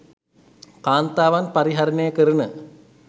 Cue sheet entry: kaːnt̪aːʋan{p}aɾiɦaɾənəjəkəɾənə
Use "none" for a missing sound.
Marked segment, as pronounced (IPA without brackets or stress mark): p